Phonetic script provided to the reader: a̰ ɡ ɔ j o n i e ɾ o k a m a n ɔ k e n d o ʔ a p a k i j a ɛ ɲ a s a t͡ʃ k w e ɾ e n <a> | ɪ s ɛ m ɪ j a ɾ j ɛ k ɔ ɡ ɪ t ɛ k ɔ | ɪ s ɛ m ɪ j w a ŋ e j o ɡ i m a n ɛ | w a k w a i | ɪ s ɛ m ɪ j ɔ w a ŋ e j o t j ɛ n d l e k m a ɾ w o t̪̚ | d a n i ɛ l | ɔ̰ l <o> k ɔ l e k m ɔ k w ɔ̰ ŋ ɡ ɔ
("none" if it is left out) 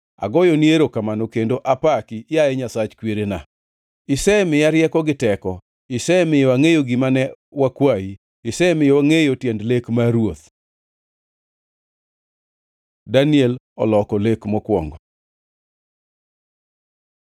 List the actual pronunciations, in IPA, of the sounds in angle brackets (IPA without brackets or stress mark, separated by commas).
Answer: a, ɔ